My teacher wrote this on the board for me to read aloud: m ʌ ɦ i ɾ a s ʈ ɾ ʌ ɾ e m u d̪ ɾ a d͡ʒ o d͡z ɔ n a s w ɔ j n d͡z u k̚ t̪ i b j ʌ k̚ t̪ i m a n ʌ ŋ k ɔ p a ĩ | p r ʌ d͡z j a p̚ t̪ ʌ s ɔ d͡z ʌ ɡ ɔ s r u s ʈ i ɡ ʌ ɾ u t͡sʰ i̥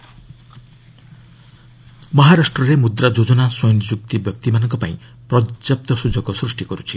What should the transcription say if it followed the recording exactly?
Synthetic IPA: m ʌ ɦ a ɾ a s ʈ r ʌ ɾ e m u d̪ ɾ a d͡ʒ o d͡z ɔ n a s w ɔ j n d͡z u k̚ t̪ i b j ʌ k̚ t̪ i m a n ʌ ŋ k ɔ p a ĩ | p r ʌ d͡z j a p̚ t̪ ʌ s u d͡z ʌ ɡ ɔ s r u s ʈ i ɡ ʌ ɾ u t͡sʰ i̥